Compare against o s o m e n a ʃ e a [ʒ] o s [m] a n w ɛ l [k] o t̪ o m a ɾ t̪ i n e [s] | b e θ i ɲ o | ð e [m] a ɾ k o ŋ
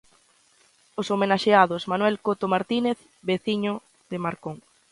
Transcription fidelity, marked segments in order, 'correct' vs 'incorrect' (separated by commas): incorrect, correct, correct, incorrect, correct